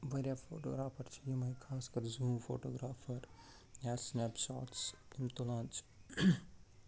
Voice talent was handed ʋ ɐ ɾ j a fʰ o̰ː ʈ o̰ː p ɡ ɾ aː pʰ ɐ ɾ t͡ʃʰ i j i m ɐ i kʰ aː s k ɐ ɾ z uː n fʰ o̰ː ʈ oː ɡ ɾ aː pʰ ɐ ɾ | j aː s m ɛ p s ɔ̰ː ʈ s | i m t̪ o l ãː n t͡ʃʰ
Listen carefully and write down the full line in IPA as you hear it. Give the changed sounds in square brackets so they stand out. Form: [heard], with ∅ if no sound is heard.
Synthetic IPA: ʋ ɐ ɾ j a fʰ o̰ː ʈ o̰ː [∅] ɡ ɾ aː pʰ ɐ ɾ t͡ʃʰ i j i m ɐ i kʰ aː s k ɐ ɾ z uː [m] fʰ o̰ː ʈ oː ɡ ɾ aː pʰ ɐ ɾ | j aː s [n] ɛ p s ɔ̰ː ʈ s | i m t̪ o l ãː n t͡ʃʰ